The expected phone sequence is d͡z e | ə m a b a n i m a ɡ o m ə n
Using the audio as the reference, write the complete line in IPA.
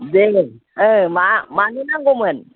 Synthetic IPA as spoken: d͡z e | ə m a m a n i n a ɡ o m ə n